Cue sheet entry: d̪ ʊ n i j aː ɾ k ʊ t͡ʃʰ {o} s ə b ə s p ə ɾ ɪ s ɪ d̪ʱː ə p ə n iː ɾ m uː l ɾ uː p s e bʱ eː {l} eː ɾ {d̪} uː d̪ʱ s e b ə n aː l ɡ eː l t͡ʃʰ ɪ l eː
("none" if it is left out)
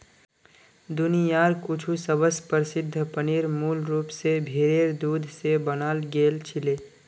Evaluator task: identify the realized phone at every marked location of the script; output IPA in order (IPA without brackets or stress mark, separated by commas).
u, ɾ, d̪